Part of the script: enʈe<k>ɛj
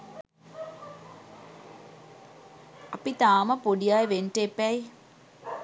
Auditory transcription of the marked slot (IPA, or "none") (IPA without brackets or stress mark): p